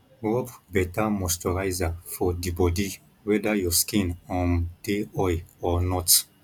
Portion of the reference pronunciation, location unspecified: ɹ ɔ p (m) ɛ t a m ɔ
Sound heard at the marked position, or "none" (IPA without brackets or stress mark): b